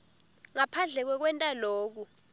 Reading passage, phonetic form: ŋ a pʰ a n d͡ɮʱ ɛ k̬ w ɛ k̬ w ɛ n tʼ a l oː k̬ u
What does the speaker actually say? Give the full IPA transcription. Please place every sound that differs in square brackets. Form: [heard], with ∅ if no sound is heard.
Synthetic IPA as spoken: ŋ a pʰ a n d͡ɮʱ ɛ k̬ w ɛ k̬ w ɛ n tʼ a l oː k̬ u